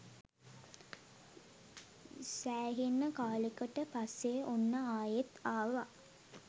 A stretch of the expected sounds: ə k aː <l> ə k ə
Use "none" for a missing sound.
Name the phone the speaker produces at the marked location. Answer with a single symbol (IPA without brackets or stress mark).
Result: l